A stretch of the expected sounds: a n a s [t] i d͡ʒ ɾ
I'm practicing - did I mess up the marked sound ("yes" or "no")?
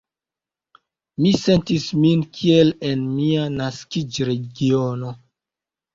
yes